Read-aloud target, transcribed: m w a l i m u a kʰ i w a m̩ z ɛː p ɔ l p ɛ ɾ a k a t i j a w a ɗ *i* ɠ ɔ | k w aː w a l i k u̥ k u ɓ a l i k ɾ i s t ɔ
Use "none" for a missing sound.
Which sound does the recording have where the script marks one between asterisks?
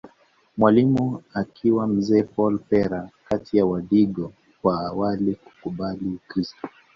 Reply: i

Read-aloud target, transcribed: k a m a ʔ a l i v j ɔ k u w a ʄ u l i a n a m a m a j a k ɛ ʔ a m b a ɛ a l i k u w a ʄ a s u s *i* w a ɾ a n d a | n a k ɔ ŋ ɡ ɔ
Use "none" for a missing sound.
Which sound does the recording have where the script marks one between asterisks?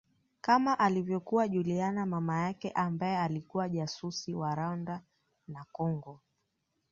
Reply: i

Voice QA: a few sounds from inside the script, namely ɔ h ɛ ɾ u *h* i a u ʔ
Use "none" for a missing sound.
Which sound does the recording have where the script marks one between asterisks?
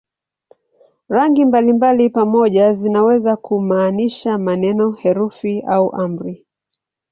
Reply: f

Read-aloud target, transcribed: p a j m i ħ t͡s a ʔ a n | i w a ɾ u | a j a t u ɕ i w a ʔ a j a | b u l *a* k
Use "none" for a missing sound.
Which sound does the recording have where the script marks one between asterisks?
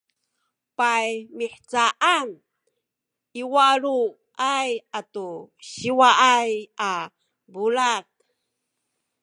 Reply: a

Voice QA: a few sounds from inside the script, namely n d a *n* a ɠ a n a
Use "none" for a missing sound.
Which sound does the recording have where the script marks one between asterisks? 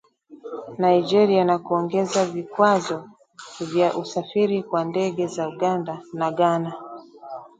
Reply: n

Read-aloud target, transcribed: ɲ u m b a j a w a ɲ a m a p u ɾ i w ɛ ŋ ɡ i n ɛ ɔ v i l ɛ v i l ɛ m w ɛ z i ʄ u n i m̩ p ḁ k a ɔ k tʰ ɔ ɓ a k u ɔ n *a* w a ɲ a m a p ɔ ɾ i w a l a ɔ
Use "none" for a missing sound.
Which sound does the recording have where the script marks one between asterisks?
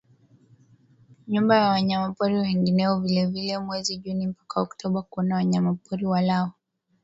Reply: a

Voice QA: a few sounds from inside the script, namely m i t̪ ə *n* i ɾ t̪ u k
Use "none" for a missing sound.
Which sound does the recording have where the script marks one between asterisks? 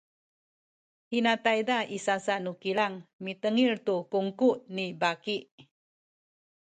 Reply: ŋ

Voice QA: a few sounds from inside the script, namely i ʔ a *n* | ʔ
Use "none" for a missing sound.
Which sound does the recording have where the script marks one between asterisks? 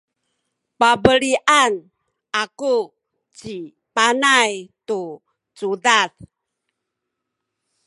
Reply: n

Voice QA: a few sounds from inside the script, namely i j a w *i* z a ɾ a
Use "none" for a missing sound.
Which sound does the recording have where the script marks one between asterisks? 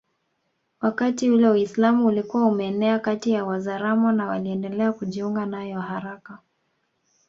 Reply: a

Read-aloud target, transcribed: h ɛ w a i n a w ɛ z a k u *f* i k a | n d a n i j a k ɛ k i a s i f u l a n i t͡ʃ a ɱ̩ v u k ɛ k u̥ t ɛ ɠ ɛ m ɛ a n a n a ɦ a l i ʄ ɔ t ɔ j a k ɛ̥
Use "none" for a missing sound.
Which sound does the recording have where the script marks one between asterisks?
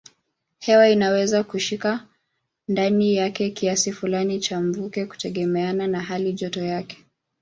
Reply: ʃ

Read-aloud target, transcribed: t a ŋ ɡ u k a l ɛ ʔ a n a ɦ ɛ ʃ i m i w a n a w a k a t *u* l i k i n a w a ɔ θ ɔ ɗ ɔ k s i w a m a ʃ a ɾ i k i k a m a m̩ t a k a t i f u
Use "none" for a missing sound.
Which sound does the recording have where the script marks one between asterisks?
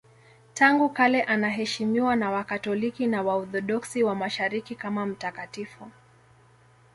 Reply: ɔ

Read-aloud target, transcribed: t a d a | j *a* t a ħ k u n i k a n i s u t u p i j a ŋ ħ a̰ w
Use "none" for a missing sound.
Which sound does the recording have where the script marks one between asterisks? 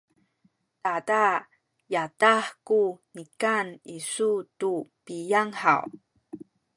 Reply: a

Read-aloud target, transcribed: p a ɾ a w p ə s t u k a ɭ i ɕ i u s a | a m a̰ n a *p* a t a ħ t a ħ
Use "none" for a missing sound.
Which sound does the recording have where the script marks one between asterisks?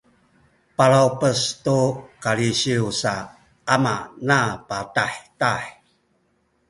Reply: p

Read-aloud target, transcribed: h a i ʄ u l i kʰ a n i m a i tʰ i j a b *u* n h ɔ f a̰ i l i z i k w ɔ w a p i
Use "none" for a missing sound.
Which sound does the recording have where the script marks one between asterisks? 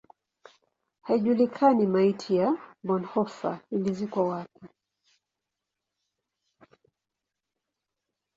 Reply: ɔ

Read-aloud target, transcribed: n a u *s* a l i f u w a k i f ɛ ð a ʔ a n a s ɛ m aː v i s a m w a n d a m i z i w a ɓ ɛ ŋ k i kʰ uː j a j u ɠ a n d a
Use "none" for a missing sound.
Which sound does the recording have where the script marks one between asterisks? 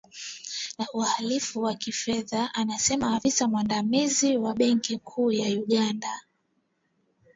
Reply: h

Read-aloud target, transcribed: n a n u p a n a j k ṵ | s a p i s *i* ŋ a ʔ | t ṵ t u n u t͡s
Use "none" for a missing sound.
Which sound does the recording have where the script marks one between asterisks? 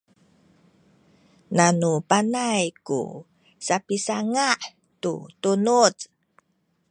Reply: a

